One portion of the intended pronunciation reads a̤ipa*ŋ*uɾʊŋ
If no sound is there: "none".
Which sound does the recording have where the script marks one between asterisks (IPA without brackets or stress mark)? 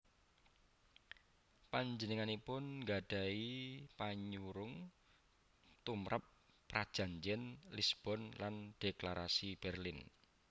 ɲ